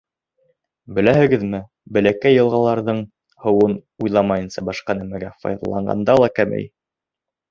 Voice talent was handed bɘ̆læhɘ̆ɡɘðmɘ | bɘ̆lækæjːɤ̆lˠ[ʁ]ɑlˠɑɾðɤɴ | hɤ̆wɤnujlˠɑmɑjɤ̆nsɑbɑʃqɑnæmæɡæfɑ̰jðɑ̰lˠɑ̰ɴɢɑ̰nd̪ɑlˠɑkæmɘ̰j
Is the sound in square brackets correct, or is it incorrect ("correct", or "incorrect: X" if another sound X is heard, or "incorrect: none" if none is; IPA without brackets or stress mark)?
correct